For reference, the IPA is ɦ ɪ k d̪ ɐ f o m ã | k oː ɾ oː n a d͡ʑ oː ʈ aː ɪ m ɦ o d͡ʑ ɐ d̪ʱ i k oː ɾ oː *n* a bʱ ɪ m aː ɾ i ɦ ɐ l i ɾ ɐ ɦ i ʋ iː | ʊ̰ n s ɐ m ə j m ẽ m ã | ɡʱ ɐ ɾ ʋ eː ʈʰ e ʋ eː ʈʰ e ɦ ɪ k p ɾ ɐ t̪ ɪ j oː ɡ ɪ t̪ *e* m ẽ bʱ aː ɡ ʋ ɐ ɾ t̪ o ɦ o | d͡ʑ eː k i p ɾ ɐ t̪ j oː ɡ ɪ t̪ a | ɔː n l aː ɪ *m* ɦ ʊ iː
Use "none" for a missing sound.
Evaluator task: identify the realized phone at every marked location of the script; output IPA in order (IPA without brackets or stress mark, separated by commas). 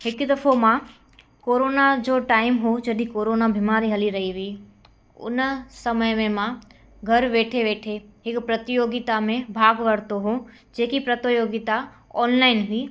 n, a, n